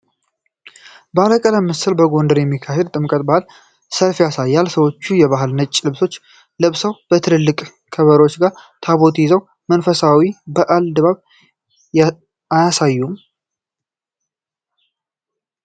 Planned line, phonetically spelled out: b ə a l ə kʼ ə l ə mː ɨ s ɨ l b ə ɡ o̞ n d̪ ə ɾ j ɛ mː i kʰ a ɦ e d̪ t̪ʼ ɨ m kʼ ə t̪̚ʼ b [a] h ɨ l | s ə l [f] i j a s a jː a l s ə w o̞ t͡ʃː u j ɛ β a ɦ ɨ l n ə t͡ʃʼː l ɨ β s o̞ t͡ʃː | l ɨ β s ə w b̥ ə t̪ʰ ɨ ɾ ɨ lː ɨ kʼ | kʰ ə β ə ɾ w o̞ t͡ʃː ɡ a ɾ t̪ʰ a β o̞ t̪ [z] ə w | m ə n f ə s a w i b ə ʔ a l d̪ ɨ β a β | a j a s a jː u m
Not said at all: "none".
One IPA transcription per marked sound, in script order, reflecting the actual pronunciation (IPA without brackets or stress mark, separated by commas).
a, f, z